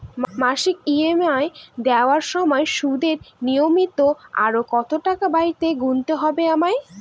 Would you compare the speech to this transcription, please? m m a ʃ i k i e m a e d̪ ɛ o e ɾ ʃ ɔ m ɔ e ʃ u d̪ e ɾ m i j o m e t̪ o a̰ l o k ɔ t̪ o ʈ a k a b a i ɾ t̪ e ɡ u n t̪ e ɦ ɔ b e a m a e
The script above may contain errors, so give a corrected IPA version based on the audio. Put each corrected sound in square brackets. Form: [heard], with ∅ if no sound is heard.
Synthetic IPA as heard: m m a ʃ i k i e m a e d̪ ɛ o [a] ɾ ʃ ɔ m ɔ e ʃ u d̪ e ɾ [n] i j o m [i] t̪ o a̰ [ɾ] o k ɔ t̪ o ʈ a k a b a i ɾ t̪ e ɡ u n t̪ e ɦ ɔ b e a m a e